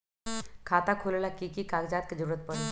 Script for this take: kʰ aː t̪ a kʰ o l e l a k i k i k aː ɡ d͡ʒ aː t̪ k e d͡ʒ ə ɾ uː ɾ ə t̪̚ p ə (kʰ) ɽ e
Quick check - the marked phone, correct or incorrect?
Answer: incorrect